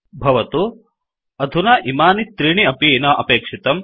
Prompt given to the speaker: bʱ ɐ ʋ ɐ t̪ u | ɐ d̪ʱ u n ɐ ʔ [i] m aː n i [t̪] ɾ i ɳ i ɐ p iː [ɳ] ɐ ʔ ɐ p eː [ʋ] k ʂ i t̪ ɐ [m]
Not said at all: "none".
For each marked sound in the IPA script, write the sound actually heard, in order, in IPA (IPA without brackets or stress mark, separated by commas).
i, t̪, n, none, m